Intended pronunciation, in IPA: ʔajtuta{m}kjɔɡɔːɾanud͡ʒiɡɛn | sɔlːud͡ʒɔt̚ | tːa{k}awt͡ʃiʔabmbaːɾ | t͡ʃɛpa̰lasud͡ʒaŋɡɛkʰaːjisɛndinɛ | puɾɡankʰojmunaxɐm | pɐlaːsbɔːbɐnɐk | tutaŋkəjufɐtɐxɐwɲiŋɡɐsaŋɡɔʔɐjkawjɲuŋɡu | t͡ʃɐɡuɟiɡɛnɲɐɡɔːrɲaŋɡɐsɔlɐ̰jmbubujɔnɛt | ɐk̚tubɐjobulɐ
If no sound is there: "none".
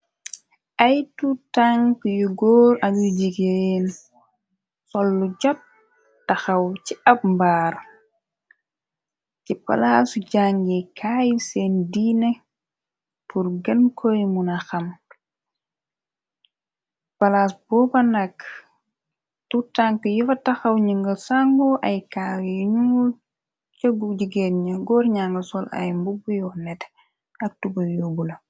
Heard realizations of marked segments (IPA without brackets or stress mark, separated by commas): ŋ, x